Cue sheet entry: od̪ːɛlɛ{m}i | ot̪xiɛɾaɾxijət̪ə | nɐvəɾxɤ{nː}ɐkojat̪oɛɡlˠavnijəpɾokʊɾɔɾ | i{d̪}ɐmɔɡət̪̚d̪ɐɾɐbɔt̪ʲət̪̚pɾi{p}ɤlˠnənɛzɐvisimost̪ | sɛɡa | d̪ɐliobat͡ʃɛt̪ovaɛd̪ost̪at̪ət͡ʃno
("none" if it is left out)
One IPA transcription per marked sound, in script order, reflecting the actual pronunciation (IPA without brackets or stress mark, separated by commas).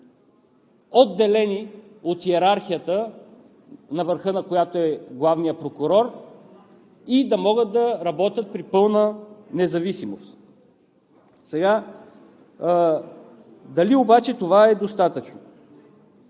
n, n, d̪, p